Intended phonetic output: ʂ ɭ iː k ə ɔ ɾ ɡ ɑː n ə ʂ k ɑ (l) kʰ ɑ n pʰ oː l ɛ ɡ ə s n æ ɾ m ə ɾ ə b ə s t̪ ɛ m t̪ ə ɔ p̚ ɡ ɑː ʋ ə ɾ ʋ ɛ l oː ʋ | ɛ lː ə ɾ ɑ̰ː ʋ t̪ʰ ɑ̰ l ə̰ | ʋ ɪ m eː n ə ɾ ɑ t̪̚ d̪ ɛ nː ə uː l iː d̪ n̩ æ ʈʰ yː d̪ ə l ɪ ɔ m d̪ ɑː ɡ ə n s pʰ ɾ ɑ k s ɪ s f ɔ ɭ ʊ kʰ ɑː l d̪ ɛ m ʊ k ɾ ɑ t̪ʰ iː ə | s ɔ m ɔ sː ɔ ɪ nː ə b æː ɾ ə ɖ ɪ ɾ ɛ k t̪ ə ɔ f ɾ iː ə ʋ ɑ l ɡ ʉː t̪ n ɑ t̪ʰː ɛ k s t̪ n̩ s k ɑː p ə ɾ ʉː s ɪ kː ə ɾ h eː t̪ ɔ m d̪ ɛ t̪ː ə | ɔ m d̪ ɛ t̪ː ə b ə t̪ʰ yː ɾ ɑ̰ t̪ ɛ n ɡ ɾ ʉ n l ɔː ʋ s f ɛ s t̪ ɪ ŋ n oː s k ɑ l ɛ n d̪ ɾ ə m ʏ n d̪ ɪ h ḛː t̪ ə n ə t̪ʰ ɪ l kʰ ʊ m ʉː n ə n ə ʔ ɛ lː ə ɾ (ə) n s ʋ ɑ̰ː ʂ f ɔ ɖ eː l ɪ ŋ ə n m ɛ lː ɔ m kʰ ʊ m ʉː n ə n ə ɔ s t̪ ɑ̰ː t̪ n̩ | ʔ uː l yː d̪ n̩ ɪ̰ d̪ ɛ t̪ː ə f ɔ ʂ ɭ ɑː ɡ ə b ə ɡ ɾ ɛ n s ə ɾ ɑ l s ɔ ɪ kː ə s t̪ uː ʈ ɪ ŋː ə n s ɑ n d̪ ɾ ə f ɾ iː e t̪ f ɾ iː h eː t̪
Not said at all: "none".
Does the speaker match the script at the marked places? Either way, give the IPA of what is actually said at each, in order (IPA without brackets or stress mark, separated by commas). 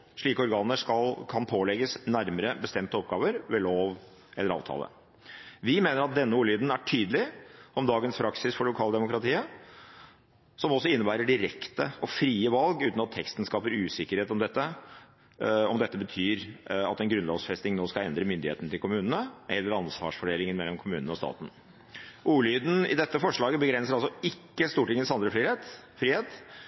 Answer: l, ɑ